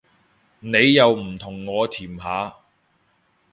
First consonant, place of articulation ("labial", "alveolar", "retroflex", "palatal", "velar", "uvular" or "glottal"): alveolar